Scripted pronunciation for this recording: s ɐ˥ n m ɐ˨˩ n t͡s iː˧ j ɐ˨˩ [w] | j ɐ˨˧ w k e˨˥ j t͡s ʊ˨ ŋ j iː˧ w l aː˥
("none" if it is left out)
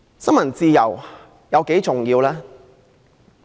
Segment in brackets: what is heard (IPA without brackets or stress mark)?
w